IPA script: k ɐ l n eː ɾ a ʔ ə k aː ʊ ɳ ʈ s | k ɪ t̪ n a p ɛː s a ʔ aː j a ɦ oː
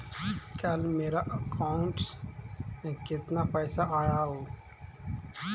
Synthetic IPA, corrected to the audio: k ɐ l m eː ɾ a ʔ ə k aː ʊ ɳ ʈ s | k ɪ t̪ n a p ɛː s a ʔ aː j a ɦ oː